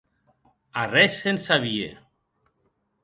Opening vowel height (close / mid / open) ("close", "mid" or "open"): open